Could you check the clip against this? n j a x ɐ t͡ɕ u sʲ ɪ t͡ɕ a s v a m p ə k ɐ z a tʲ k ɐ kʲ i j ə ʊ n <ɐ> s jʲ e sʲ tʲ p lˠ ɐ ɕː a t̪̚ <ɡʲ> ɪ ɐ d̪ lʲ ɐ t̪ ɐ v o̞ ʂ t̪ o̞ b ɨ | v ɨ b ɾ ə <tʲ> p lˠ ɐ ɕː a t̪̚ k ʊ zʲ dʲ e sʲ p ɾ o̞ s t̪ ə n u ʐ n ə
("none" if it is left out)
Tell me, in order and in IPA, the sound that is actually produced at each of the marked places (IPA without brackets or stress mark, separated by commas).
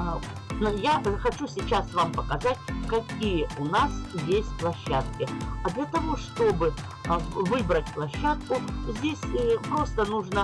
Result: a, kʲ, tʲ